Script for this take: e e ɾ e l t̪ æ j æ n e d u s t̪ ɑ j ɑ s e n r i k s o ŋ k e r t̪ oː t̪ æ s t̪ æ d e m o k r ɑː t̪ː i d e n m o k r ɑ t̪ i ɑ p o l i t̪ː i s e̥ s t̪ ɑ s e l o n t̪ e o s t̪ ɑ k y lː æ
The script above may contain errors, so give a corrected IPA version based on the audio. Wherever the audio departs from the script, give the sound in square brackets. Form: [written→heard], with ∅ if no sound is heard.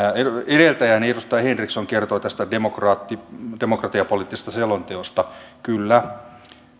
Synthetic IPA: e e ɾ e l t̪ æ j æ n e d u s t̪ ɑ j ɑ [s→h] e n r i k s o ŋ k e r t̪ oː t̪ æ s t̪ æ d e m o k r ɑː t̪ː i d e [n→∅] m o k r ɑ t̪ i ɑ p o l i t̪ː i s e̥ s t̪ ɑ s e l o n t̪ e o s t̪ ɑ k y lː æ